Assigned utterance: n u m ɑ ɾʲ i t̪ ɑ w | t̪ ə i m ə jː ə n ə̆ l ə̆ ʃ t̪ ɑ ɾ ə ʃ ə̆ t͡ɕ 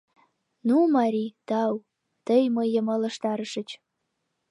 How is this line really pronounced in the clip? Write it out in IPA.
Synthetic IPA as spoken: n u m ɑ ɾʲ i t̪ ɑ w | t̪ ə j m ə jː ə m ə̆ l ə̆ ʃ t̪ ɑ ɾ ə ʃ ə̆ t͡ɕ